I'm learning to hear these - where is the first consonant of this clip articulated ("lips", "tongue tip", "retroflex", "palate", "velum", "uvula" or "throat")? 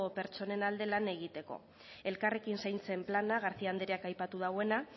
lips